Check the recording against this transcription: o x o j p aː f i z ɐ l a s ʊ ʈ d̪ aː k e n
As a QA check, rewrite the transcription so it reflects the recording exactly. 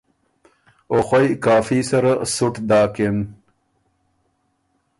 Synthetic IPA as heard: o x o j k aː f i s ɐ ɾ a s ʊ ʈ d̪ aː k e n